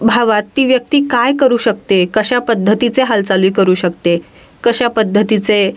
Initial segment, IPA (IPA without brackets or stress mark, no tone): bʱ